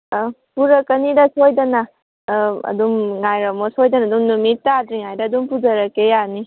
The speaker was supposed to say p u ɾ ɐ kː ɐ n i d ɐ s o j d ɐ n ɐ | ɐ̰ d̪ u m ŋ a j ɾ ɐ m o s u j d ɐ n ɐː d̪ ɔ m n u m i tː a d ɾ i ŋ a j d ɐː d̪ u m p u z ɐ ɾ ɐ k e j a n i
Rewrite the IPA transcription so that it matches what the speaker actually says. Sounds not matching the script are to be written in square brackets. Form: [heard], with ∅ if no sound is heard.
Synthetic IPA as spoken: p u ɾ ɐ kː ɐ n i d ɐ s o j d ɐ n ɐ | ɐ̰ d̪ u m ŋ a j ɾ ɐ m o s [o] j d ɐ n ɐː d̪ [u] m n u m i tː a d ɾ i ŋ a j d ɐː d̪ u m p u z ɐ ɾ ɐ k e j a n i

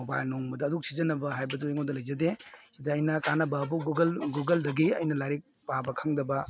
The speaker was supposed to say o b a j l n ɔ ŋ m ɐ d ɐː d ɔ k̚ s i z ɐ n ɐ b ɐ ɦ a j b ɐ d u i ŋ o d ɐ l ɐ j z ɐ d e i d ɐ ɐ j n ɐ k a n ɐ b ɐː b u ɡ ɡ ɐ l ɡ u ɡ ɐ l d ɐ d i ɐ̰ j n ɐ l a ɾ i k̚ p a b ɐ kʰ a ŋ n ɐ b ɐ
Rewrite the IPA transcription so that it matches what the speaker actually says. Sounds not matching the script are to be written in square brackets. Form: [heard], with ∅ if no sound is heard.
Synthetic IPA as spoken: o b a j l n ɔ ŋ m ɐ d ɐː d [u] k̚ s i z ɐ n ɐ b ɐ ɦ a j b ɐ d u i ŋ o d ɐ l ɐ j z ɐ d e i d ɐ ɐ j n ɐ k a n ɐ b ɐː b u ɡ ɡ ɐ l ɡ u ɡ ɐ l d ɐ [ɡ] i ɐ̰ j n ɐ l a ɾ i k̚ p a b ɐ kʰ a ŋ [d] ɐ b ɐ

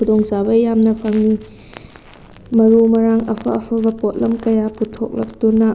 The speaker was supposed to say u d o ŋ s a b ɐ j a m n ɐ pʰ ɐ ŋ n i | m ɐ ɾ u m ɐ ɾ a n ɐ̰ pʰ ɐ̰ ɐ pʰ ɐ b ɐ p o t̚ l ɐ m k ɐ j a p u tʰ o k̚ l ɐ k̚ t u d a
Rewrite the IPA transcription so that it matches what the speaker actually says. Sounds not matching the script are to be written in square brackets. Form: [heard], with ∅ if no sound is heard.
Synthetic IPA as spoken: u d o ŋ s a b ɐ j a m n ɐ pʰ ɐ ŋ n i | m ɐ ɾ u m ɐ ɾ a [ŋ] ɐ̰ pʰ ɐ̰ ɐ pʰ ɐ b ɐ p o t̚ l ɐ m k ɐ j a p u tʰ o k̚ l ɐ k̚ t u [n] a

